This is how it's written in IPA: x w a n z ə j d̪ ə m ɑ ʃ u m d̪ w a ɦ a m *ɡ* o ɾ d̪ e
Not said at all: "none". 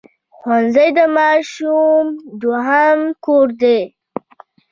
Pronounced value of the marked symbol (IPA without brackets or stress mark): k